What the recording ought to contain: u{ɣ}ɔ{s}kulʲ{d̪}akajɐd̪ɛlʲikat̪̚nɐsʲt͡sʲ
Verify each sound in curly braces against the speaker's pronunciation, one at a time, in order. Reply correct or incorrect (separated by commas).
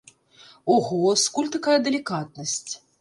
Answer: correct, correct, incorrect